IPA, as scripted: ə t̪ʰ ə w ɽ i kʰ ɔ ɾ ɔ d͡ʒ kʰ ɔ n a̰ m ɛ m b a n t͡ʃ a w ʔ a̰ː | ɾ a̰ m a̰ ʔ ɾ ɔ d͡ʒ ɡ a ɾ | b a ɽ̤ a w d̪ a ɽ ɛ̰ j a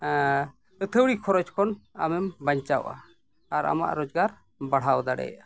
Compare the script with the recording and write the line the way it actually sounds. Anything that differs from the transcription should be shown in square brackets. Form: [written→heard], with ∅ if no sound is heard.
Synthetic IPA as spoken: ə t̪ʰ ə w ɽ i kʰ ɔ ɾ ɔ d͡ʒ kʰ ɔ n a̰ m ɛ m b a [n→ɲ] t͡ʃ a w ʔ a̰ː | ɾ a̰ m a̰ ʔ ɾ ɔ d͡ʒ ɡ a ɾ | b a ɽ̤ a w d̪ a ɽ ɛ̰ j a